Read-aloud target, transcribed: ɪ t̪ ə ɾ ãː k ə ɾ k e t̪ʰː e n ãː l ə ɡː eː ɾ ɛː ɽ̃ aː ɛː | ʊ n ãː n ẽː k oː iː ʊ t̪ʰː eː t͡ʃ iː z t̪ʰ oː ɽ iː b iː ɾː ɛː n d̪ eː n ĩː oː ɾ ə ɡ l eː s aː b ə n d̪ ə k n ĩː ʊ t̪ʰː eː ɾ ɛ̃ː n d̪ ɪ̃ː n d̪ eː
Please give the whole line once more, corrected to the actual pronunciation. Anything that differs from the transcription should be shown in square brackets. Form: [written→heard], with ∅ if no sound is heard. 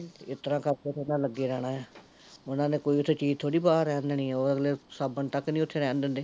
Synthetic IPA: ɪ t̪ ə ɾ ãː k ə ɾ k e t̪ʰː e n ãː l ə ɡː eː ɾ ɛː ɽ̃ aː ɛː | ʊ n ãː n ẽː k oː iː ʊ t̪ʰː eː t͡ʃ iː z t̪ʰ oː ɽ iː b [iː→aː] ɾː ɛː n d̪ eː n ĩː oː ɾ ə ɡ l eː s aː b ə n [d̪→t̪] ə k n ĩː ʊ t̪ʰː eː ɾ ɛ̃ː n d̪ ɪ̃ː n d̪ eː